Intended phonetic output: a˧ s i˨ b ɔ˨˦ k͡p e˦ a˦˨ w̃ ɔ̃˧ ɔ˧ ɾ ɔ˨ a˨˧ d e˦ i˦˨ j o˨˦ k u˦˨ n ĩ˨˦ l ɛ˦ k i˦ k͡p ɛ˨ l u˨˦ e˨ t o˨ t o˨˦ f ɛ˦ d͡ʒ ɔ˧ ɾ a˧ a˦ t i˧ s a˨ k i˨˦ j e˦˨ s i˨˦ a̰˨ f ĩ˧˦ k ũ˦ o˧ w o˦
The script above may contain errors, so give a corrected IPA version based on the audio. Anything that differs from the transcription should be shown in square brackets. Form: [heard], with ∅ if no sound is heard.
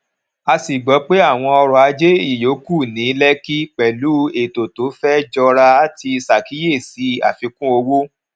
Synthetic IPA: a˧ s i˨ [ɡ͡b] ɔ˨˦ k͡p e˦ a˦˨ w̃ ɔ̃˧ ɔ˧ ɾ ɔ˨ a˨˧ [d͡ʒ] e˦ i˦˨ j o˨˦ k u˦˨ n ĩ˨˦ l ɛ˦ k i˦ k͡p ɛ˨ l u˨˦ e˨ t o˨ t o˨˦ f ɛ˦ d͡ʒ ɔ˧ ɾ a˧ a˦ t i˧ s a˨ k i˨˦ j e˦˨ s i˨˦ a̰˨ f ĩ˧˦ k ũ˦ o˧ w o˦